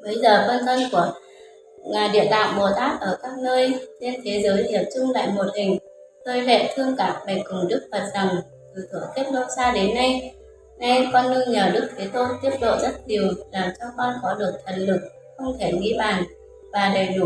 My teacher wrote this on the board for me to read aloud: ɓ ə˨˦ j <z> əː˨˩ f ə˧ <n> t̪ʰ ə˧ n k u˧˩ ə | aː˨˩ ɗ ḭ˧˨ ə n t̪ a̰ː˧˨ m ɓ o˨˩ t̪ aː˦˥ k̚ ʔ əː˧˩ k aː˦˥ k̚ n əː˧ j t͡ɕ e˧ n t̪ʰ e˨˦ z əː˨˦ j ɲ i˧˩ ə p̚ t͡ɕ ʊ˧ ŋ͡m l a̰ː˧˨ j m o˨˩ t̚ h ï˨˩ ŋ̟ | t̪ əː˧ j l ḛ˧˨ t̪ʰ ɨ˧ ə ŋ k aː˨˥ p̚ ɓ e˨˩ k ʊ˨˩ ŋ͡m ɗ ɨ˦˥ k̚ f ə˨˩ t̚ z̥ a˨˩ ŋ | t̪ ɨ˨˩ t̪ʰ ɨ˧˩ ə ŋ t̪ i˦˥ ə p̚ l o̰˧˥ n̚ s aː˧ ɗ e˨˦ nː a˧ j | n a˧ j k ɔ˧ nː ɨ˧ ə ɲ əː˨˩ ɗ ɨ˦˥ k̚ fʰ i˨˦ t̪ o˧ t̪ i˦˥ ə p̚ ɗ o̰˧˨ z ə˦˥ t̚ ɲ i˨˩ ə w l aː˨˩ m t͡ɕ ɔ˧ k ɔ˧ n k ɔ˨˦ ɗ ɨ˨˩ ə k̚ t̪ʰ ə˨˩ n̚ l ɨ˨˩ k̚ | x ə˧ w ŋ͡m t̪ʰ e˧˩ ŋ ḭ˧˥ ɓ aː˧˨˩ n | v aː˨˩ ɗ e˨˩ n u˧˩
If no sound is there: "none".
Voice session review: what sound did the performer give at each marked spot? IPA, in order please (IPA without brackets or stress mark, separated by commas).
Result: z, n